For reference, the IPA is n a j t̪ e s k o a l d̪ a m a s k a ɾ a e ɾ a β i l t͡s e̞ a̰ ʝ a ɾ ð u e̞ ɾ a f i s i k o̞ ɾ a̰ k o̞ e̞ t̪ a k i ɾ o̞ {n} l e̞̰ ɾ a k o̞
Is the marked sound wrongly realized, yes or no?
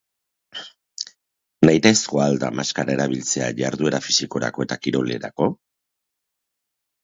yes